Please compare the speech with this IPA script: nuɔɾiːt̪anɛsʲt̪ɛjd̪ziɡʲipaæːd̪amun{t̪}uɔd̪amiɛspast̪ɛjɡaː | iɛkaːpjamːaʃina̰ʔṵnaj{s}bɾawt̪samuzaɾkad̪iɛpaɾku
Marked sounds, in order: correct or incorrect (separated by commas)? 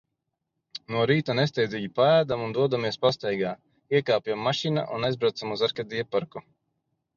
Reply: incorrect, incorrect